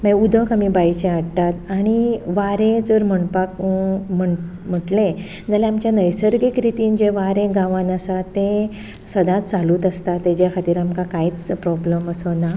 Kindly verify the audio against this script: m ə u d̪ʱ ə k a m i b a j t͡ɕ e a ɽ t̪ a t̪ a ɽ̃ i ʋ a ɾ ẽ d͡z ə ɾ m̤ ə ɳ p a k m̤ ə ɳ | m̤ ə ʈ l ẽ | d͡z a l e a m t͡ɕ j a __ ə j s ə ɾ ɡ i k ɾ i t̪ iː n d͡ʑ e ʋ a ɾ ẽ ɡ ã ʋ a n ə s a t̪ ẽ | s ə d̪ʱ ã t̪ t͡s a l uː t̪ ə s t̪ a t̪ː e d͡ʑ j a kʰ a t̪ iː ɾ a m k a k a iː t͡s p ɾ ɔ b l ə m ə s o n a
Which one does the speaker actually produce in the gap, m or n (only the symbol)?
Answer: n